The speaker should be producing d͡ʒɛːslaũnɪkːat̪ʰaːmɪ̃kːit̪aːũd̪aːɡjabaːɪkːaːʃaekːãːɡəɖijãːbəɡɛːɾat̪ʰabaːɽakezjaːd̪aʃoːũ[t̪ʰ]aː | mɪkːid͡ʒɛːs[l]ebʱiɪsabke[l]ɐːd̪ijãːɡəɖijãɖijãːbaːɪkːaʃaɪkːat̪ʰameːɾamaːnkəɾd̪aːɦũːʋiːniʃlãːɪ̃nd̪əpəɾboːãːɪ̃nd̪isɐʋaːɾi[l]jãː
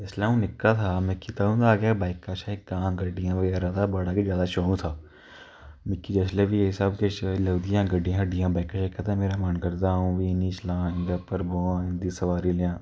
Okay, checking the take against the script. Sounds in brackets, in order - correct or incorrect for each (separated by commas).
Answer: correct, correct, correct, correct